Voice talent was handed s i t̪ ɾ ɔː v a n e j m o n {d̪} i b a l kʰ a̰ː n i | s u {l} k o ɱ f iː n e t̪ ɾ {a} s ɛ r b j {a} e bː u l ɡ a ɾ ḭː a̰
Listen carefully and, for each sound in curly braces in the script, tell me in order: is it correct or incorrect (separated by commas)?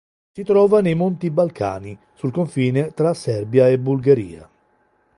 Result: incorrect, correct, correct, correct